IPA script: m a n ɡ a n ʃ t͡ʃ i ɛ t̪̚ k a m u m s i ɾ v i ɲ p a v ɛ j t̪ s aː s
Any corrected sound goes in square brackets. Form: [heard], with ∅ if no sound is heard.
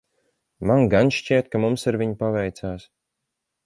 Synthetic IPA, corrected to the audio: m a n ɡ a n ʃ t͡ʃ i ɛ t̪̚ k a m u m s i ɾ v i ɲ p a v ɛ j t̪ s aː s